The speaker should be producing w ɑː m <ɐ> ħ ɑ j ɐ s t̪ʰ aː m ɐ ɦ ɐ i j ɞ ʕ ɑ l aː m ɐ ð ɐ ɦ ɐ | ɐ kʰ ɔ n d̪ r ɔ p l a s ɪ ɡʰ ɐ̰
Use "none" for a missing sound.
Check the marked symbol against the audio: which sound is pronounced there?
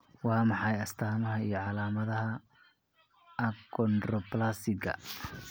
ɑ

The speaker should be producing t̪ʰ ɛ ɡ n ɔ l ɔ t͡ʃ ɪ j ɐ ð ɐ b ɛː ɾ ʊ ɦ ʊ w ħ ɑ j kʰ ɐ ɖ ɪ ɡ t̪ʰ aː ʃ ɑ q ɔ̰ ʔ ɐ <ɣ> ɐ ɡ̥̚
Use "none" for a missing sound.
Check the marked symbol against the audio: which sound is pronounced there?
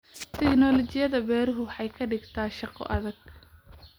ð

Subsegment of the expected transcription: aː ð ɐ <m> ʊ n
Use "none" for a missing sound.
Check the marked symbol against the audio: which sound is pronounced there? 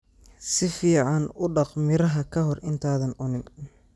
n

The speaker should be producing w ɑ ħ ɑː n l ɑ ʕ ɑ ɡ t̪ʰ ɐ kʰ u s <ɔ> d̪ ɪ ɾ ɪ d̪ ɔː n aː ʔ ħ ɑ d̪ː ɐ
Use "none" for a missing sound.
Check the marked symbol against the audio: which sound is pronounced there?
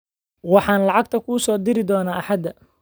ɔː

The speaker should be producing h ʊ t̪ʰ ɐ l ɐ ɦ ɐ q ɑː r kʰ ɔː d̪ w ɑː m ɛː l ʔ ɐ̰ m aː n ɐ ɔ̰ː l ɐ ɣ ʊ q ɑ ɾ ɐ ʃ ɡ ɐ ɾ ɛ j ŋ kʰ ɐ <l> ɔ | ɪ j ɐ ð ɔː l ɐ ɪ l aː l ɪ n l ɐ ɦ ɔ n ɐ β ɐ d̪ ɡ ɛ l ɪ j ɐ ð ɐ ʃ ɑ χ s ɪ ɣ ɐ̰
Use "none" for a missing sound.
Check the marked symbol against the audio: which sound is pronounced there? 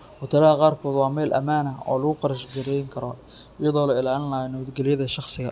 ɾ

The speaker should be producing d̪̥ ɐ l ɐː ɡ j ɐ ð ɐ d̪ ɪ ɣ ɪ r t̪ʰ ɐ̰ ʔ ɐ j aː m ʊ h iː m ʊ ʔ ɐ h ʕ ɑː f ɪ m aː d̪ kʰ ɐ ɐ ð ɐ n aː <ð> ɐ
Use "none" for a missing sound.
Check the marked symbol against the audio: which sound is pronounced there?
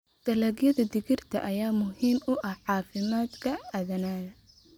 ð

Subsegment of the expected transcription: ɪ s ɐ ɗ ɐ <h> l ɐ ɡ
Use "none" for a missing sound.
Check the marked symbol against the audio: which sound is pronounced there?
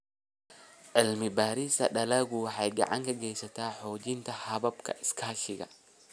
none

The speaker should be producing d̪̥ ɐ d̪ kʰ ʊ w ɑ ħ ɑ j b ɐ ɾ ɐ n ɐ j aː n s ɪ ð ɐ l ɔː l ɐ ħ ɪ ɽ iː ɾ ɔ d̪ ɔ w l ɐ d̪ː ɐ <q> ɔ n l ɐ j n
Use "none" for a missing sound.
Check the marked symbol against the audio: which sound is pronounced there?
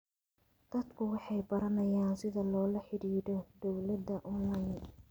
ʔ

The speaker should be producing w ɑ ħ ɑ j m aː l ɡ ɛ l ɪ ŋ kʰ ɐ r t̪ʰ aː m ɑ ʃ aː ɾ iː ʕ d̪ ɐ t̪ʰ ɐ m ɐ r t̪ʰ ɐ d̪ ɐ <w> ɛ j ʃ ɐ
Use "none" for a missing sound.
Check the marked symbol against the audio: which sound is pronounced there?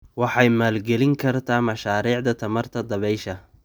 β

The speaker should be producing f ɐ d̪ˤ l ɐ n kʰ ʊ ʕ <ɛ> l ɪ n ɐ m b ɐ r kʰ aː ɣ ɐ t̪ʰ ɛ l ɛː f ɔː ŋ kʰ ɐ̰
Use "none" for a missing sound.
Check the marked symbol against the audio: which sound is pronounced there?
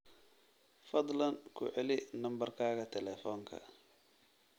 ɛ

